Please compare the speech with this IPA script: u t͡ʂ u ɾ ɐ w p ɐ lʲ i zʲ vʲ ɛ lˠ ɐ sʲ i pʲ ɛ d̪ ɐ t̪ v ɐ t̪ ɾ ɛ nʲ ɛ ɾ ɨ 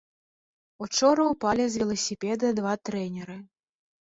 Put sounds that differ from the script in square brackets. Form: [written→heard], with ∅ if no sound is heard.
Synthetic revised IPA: u t͡ʂ [u→ɔ] ɾ ɐ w p [ɐ→a] lʲ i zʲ vʲ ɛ lˠ ɐ sʲ i pʲ ɛ d̪ ɐ [t̪→d̪] v [ɐ→a] t̪ ɾ ɛ nʲ ɛ ɾ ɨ